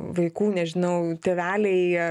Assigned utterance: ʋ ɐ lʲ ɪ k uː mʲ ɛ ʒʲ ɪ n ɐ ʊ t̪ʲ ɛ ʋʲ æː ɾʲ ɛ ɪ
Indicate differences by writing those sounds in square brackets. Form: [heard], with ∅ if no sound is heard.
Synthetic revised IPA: ʋ ɐ [∅] ɪ k uː [nʲ] ɛ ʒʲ ɪ n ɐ ʊ t̪ʲ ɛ ʋʲ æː [lʲ] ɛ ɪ